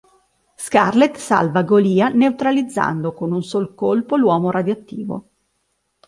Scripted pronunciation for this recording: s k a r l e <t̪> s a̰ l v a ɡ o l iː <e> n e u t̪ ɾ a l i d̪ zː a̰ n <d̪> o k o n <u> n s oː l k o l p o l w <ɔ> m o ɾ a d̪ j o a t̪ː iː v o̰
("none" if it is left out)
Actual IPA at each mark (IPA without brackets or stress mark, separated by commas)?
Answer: t̪, a, d̪, u, ɔː